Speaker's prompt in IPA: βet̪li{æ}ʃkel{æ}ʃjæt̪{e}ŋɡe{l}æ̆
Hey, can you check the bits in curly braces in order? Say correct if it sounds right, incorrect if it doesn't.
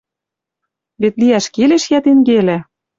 correct, incorrect: e, correct, correct

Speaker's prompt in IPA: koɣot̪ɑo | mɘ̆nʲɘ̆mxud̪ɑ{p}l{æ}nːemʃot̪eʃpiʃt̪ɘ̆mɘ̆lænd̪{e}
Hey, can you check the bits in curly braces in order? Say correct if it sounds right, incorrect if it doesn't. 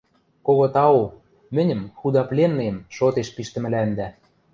correct, incorrect: e, incorrect: æ

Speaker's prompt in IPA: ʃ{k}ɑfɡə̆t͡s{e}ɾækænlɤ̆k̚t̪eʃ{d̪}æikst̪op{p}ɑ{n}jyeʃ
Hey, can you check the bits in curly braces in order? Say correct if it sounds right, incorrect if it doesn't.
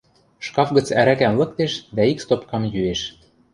correct, incorrect: æ, correct, incorrect: k, incorrect: m

